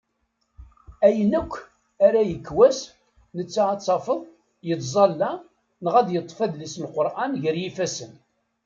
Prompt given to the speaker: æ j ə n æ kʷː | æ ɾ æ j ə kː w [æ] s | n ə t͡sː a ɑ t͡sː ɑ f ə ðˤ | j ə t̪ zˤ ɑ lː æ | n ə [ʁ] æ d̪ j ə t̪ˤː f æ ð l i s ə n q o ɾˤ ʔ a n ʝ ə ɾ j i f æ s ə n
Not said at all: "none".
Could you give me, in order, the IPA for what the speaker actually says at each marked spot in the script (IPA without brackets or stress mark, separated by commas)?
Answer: æ, ʁ